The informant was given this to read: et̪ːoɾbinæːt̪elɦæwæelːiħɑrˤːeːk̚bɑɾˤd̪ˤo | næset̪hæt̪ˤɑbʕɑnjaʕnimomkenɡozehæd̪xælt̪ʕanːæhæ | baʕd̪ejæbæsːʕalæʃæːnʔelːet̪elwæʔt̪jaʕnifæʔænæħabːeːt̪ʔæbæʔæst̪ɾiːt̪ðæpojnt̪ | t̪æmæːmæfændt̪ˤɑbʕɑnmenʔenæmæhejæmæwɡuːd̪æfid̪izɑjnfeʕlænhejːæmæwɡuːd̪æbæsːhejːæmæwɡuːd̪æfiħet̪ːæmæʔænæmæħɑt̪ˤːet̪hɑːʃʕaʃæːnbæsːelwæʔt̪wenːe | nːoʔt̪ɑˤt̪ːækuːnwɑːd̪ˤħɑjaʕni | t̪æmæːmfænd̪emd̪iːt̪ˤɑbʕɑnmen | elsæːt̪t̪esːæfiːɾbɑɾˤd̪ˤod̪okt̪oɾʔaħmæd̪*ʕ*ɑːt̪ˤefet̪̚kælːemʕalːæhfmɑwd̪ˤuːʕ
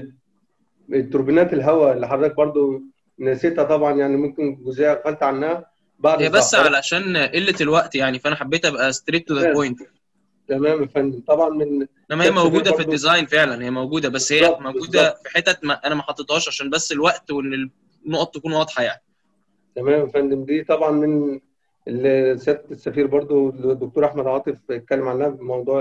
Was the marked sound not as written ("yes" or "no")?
no